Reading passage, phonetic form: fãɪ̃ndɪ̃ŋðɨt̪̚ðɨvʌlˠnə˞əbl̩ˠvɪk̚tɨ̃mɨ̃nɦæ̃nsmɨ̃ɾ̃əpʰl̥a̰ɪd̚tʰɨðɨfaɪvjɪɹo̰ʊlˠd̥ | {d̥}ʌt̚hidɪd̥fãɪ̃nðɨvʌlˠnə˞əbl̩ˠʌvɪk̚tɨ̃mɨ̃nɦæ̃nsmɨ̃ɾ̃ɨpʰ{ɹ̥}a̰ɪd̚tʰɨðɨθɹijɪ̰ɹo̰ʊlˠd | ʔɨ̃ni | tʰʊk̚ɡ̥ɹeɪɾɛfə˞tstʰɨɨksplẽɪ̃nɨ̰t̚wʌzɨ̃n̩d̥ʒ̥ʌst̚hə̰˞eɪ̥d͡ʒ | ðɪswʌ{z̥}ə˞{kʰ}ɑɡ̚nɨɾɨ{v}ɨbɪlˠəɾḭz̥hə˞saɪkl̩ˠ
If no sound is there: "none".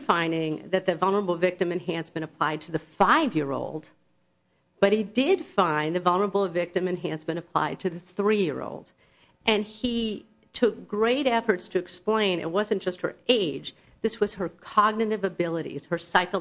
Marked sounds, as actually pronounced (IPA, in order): b̥, l̥, z̥, kʰ, v

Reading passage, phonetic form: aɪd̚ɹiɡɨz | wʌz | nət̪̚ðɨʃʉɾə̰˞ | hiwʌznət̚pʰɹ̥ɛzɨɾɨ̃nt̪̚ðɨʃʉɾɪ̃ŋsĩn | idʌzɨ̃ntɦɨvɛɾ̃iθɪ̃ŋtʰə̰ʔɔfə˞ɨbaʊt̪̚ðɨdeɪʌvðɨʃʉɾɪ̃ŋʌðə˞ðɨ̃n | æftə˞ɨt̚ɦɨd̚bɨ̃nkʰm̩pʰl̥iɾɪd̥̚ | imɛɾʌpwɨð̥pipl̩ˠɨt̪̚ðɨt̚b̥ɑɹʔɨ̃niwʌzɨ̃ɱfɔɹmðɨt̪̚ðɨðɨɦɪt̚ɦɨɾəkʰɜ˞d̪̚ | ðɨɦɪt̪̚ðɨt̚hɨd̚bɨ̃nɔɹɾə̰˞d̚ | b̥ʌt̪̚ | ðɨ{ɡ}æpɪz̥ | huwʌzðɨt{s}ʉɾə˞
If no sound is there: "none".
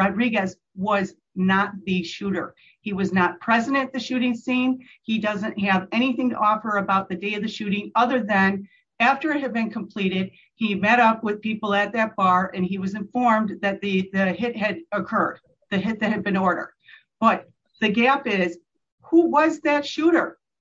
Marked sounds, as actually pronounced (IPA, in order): ɡ, ʃ

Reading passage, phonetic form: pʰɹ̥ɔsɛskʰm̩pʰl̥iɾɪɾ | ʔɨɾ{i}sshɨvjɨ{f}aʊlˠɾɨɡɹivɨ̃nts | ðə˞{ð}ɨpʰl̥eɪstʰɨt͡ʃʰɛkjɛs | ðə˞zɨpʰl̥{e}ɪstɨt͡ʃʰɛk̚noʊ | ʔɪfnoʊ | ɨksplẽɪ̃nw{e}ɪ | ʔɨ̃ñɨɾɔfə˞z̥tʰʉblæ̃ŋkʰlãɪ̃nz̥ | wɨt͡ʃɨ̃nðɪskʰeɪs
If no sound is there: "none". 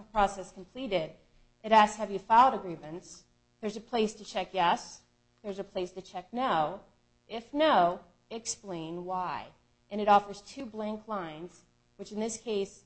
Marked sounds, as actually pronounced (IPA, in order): æ, f, z, e, a

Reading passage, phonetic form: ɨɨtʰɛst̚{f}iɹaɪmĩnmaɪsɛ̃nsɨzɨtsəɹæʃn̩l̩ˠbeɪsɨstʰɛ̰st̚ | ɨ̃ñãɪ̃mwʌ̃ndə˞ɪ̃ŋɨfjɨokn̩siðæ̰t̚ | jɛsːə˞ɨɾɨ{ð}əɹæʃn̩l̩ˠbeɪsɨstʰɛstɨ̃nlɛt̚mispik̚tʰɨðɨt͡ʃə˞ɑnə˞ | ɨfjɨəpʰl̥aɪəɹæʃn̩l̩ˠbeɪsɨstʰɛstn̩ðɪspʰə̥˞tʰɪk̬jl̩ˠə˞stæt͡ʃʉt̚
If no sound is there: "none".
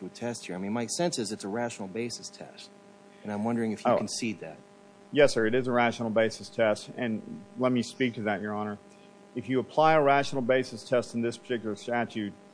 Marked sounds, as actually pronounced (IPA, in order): h, z

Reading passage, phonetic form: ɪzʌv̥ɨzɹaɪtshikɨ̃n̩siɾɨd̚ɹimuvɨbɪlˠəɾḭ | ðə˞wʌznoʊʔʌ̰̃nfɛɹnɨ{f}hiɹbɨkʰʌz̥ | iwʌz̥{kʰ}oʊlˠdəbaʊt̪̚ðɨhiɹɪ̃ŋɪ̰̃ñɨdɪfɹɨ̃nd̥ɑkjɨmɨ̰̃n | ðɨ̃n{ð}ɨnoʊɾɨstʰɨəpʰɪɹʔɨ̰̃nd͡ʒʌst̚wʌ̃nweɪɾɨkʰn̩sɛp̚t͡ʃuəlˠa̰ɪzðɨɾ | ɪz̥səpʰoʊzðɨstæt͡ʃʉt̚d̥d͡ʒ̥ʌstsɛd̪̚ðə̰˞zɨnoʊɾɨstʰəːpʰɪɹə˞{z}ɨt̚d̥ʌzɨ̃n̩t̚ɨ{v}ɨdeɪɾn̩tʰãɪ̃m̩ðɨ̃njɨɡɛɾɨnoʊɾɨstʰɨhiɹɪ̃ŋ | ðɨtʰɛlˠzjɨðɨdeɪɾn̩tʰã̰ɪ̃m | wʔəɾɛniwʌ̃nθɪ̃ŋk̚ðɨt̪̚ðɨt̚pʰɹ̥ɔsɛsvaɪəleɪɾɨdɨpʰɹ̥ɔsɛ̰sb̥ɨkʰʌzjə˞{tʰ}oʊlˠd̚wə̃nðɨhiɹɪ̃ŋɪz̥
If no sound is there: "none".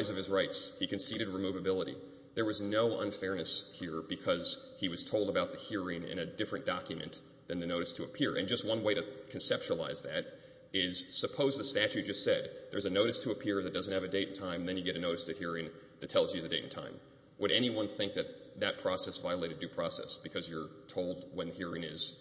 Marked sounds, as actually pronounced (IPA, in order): s, tʰ, ð, ð, v, tʰ

